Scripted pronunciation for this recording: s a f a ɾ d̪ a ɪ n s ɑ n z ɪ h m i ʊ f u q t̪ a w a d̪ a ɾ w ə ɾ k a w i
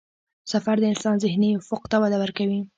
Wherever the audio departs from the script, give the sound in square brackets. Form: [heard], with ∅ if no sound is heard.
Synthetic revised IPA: s a f a ɾ d̪ [ə] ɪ n s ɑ n z ɪ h [n] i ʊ f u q t̪ a w a d̪ a [∅] w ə ɾ k a w i

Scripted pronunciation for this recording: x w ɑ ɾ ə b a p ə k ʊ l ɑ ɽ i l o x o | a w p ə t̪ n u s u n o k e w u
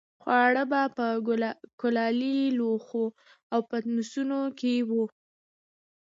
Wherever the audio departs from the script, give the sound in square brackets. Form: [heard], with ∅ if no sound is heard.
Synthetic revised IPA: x w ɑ [ɽ] ə b a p ə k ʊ l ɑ [l] i l o x o | a w p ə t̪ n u s u n o k e w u

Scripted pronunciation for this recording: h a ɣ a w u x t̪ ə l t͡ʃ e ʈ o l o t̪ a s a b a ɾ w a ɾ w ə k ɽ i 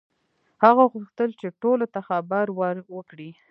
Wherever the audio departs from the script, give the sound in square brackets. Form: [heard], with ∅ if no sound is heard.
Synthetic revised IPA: h a ɣ a [ɣ] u x t̪ ə l t͡ʃ e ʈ o l o t̪ a [x] a b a ɾ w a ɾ w ə k ɽ i

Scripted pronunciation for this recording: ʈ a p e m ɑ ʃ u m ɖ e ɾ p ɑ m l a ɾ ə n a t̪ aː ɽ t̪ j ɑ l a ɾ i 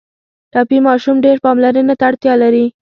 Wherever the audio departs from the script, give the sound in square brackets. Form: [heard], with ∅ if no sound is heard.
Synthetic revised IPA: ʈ [ɑ] p [i] m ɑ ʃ u m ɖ e ɾ p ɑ m l a ɾ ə n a t̪ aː ɽ t̪ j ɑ l a ɾ i

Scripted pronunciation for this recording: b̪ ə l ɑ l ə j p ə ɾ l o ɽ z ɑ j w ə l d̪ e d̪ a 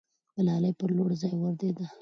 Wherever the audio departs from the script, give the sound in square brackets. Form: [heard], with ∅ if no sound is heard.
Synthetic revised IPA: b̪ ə l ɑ l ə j p ə ɾ l o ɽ z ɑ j w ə [ɾ] d̪ e d̪ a

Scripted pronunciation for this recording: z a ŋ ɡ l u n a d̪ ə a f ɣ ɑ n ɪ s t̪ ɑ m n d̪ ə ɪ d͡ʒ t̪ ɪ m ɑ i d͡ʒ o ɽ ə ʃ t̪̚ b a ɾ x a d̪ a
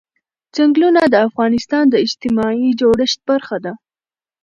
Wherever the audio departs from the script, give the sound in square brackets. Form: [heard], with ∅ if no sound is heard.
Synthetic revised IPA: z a ŋ ɡ l u n a d̪ ə a f ɣ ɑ n ɪ s t̪ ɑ [∅] n d̪ ə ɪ d͡ʒ t̪ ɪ m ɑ i d͡ʒ o ɽ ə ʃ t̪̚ b a ɾ x a d̪ a

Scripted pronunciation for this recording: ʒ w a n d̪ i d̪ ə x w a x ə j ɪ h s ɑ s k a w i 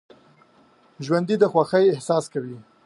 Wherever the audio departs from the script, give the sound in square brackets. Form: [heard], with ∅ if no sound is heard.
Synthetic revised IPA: ʒ w a n d̪ i d̪ ə x w a x ə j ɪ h s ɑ s k a w i

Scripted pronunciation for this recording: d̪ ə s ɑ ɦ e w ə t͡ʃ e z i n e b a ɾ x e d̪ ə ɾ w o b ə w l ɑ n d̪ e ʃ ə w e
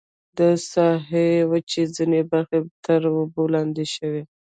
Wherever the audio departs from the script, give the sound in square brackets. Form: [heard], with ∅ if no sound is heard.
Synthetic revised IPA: d̪ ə s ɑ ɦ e w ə t͡ʃ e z i n e b a ɾ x e [t̪] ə ɾ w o b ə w l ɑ n d̪ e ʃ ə w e

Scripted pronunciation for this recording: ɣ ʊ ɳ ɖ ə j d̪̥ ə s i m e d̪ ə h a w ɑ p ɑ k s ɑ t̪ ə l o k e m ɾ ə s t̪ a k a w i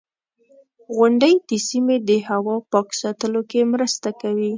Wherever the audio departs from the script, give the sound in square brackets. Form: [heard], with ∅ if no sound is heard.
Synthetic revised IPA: ɣ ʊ ɳ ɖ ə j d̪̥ ə s i m e d̪ ə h a w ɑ p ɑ k s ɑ t̪ ə l o k e m ɾ ə s t̪ a k a w i

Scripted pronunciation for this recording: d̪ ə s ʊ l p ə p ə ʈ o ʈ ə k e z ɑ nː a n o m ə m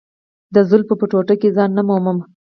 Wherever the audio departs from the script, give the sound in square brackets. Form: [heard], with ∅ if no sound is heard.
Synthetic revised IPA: d̪ ə [z] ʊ l p ə p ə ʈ o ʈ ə k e z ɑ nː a [m] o m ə m

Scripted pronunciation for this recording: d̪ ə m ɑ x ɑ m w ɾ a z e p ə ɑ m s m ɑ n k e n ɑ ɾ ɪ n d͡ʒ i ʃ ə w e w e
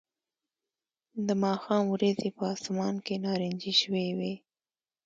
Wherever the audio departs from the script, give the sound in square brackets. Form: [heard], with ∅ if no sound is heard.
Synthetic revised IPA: d̪ ə m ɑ x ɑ m w ɾ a z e p ə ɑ [∅] s m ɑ n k e n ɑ ɾ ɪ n d͡ʒ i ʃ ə w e w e

